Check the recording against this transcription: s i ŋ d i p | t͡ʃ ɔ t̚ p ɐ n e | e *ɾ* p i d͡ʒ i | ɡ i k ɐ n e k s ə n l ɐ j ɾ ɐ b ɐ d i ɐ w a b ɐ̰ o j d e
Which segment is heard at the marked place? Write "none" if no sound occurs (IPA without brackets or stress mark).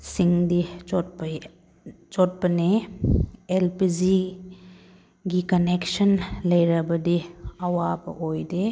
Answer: l